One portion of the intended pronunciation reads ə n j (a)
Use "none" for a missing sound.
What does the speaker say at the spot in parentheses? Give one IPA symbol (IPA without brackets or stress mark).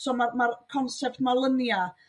a